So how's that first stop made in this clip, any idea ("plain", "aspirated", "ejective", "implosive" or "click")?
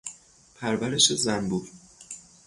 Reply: aspirated